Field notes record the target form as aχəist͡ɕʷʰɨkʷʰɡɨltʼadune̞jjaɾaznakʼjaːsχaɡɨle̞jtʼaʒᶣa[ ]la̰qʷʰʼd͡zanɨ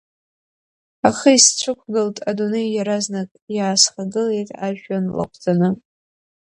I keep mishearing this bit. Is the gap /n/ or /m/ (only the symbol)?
n